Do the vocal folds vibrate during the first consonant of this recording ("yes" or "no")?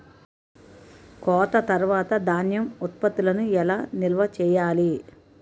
no